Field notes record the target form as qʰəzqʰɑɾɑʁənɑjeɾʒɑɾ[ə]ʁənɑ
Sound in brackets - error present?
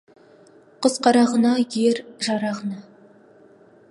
yes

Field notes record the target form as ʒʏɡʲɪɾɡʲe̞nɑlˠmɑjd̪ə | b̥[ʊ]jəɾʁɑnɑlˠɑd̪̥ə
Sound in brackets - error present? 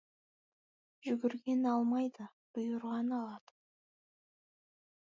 no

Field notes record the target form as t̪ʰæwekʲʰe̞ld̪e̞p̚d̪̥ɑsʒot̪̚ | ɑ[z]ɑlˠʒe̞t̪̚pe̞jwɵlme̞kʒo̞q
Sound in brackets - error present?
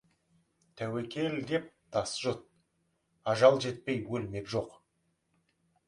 yes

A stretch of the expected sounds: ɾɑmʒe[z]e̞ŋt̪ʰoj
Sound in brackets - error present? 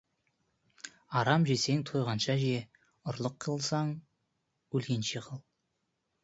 yes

